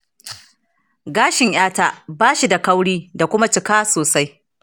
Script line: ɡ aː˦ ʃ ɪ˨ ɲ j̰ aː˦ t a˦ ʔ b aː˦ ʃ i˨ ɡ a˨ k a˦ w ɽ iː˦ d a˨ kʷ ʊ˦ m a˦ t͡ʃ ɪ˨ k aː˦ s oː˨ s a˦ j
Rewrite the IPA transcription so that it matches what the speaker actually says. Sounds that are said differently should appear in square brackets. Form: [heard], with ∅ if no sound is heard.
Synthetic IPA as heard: ɡ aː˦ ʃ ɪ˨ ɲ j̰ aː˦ t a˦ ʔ b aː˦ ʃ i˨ [d] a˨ k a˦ w ɽ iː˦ d a˨ kʷ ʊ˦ m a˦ t͡ʃ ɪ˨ k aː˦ s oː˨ s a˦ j